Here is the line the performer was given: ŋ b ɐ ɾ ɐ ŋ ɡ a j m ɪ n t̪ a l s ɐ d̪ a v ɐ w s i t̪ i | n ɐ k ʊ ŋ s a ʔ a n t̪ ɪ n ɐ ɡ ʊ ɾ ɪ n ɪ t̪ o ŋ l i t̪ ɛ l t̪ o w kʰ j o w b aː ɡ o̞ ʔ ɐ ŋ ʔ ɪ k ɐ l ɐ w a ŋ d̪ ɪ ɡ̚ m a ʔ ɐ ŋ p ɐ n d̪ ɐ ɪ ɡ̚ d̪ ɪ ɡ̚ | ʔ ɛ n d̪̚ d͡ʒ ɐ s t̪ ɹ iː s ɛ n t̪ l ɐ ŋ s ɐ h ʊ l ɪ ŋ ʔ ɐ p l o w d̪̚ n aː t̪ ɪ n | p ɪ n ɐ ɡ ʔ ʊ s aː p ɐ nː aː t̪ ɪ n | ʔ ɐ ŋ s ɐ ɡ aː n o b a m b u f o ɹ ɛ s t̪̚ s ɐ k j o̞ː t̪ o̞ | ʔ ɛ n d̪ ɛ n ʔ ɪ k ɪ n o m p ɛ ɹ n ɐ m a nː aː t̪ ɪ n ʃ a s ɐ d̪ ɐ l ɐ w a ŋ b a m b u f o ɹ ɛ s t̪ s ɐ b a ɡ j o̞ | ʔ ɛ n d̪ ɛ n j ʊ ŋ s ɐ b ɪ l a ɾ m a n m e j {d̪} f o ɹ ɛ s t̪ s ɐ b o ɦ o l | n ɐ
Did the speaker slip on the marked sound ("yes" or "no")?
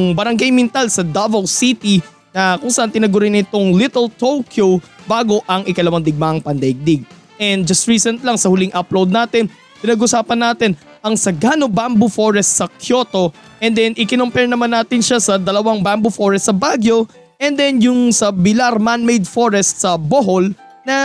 no